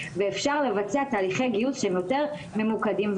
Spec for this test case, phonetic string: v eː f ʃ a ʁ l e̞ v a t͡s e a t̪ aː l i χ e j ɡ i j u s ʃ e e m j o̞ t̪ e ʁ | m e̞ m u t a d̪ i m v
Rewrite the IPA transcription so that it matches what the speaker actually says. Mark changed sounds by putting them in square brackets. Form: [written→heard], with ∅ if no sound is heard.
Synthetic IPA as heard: v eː f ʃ a ʁ l e̞ v a t͡s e a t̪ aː l i χ e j ɡ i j u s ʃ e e m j o̞ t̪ e ʁ | m e̞ m u [t→k] a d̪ i m v